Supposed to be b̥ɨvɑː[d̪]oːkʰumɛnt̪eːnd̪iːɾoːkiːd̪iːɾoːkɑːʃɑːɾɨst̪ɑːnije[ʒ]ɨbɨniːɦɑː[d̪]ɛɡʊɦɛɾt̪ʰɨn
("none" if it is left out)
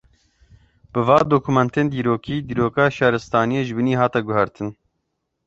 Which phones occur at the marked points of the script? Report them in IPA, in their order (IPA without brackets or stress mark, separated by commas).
d̪, ʒ, t̪